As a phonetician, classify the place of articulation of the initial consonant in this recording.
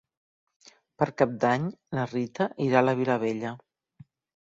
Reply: labial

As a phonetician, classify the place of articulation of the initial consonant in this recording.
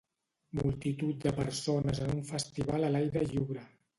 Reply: labial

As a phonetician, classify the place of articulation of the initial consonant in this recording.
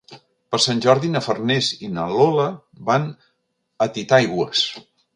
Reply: labial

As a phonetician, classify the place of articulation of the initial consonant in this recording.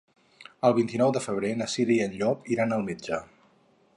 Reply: alveolar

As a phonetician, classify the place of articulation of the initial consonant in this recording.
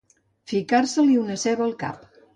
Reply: labial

